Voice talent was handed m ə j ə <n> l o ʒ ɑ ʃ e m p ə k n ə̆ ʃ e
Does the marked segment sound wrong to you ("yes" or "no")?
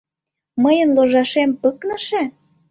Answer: no